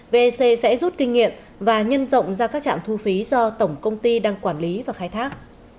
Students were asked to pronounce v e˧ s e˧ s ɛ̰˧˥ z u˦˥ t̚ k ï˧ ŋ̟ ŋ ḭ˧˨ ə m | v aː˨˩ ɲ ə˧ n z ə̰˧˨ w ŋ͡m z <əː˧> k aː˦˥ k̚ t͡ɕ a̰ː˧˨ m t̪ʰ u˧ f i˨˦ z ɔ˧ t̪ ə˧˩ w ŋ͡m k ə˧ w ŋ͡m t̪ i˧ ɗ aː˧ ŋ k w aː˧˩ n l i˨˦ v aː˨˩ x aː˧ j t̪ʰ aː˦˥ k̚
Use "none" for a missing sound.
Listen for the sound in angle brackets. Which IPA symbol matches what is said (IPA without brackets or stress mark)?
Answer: aː˧